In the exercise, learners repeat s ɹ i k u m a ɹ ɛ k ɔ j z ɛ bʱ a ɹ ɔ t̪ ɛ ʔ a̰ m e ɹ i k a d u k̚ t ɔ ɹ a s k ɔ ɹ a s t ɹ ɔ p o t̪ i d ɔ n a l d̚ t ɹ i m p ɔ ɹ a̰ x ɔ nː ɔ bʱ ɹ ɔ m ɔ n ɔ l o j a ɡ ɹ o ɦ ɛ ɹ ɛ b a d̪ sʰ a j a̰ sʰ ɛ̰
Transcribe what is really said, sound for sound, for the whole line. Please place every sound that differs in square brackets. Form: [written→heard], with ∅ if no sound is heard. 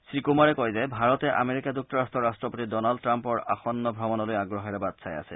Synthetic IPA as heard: s ɹ i k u m a ɹ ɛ k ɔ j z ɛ bʱ a ɹ ɔ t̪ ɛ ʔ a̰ m e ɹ i k a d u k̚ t ɔ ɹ a s [k→t] ɔ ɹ a s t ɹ ɔ p o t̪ i d ɔ n a l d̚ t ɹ [i→a] m p ɔ ɹ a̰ x ɔ nː ɔ bʱ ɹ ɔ m ɔ n ɔ l o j a ɡ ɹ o ɦ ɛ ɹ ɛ b a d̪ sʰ a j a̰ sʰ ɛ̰

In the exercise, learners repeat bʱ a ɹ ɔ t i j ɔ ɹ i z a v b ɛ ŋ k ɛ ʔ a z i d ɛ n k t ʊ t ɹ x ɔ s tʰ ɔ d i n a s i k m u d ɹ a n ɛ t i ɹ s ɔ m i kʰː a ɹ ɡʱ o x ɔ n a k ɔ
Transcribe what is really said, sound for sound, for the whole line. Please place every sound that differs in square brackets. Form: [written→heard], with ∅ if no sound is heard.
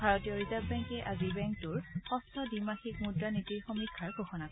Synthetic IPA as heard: bʱ a ɹ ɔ t i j ɔ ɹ i z a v b ɛ ŋ k ɛ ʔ a z i [d→b] ɛ [n→ŋ] k t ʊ [t→∅] ɹ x ɔ s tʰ ɔ d i [n→m] a [s→x] i k m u d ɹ a n [ɛ→i] t i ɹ [s→x] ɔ m i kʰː a ɹ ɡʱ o x ɔ n a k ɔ

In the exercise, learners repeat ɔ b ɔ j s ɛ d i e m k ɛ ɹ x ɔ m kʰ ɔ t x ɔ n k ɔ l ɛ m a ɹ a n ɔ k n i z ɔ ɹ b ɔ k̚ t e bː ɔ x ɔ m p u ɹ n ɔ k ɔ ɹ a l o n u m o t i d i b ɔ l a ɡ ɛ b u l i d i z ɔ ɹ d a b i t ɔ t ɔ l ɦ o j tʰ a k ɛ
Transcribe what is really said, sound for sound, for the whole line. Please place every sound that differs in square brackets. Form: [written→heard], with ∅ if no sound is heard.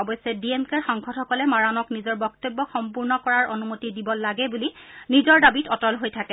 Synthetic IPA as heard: ɔ b ɔ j s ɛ d i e m k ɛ ɹ x ɔ [m→ŋ] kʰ ɔ t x ɔ [n→∅] k ɔ l ɛ m a ɹ a n ɔ k n i z ɔ ɹ b ɔ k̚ t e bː ɔ x ɔ m p u ɹ n ɔ k ɔ ɹ a [l→ɹ] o n u m o t i d i b ɔ l a ɡ ɛ b u l i [d→n] i z ɔ ɹ d a b i t ɔ t ɔ l ɦ o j tʰ a k ɛ

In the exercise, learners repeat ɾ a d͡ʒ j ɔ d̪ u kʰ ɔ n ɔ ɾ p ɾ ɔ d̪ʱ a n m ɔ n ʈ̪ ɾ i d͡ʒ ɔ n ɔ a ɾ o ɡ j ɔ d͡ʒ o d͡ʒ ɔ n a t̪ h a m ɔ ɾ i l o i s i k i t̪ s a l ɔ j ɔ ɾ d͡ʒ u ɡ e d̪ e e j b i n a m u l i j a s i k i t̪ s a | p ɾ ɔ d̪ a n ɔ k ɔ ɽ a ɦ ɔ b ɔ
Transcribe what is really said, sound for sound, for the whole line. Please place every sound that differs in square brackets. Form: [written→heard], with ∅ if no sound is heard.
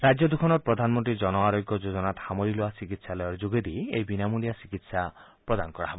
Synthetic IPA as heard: ɾ a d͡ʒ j ɔ d̪ u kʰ ɔ n ɔ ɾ p ɾ ɔ d̪ʱ a n m ɔ n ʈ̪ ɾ i d͡ʒ ɔ n ɔ a ɾ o ɡ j ɔ d͡ʒ o d͡ʒ ɔ n a t̪ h a m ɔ ɾ i l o [i→a] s i k i t̪ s a l ɔ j ɔ ɾ d͡ʒ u ɡ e d̪ [e→i] e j b i n a m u l i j a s i k i t̪ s a | p ɾ ɔ d̪ a n ɔ k ɔ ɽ a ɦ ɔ b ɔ

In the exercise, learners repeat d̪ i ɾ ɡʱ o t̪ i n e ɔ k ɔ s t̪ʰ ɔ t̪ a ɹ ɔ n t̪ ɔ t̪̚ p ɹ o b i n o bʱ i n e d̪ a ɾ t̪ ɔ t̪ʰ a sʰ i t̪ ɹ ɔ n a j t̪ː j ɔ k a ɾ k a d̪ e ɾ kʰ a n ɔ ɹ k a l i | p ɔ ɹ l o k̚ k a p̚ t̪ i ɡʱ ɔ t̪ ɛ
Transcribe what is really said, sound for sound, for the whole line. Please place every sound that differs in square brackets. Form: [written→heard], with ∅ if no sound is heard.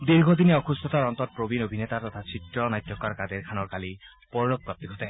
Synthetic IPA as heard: d̪ i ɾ ɡʱ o [t̪→d̪] i n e ɔ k [ɔ→u] s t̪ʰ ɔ t̪ a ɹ ɔ n t̪ ɔ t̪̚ p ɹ o b i n o bʱ i n e [d̪→t̪] a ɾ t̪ ɔ t̪ʰ a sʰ i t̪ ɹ ɔ n a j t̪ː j ɔ k a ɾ k a d̪ e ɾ kʰ a n ɔ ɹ k a l i | p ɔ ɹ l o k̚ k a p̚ t̪ i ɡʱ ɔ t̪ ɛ

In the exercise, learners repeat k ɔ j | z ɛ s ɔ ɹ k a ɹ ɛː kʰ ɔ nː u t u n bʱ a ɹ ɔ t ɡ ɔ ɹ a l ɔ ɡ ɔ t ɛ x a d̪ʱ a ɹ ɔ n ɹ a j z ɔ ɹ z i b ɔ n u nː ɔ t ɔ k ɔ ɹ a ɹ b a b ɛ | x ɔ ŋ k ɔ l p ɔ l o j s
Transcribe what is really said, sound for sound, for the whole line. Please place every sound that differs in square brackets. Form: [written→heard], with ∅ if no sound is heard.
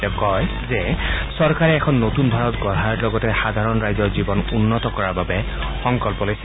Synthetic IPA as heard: k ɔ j | z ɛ s ɔ ɹ k a ɹ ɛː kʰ ɔ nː [u→o] t u n bʱ a ɹ ɔ t ɡ ɔ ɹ a l ɔ ɡ ɔ t ɛ x a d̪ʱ a ɹ ɔ n ɹ a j z ɔ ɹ z i b ɔ n u nː ɔ t ɔ k ɔ ɹ a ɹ b a b ɛ | x ɔ ŋ k ɔ l p ɔ l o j s

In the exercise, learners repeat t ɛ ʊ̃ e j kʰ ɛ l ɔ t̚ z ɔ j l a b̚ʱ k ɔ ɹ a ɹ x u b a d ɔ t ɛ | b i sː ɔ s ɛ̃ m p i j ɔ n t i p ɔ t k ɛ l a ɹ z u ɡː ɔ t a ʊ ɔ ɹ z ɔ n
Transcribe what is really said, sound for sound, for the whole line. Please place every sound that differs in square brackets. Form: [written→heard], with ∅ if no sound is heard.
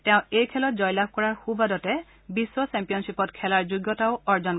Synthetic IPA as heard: t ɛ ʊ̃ e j kʰ ɛ l ɔ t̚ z ɔ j l a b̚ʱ k ɔ ɹ a ɹ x u b a d ɔ t ɛ | b i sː ɔ s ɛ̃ m p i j ɔ n [t→s] i p ɔ t [k→kʰ] ɛ l a ɹ z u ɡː ɔ t a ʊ ɔ ɹ z ɔ n

